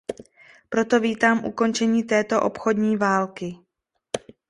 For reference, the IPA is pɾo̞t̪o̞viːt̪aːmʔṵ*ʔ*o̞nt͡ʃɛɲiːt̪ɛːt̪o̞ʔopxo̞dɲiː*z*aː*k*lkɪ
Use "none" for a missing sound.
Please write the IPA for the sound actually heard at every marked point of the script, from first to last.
k, v, none

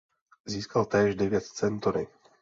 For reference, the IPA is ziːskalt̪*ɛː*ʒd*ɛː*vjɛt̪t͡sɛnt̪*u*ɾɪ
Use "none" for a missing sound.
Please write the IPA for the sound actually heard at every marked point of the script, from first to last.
ɛː, ɛ, o

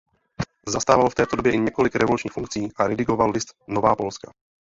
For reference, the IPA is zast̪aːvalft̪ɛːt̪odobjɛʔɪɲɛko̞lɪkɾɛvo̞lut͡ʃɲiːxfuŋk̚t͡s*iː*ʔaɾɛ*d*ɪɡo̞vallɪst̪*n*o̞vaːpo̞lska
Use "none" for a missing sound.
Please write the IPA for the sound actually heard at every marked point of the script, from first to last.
iː, d, n

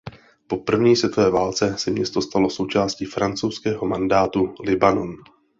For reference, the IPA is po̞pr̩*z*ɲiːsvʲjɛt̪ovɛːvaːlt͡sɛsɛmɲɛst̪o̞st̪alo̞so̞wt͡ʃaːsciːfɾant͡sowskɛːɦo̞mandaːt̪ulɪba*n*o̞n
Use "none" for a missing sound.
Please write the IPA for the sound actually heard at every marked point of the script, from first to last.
v, n

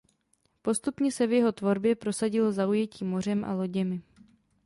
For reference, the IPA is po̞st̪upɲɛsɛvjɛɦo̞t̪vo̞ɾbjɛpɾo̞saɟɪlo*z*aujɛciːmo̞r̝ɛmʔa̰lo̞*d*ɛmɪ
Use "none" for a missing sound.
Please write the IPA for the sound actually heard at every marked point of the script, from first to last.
z, ɟ

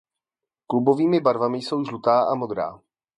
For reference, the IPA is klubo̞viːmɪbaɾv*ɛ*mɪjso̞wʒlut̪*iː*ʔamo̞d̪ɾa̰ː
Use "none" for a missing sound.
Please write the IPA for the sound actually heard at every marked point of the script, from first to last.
a, aː

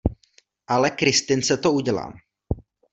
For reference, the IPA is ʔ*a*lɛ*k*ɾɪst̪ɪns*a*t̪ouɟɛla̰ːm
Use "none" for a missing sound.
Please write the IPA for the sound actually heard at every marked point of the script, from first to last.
a, k, ɛ

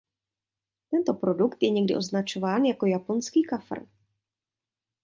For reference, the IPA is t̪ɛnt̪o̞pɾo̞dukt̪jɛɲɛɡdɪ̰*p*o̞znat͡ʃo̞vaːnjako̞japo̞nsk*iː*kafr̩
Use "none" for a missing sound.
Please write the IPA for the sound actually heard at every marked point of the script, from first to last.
ʔ, iː

